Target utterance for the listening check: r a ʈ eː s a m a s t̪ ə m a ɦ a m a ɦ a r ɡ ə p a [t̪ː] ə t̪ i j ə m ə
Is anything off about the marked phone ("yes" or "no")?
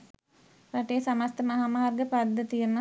yes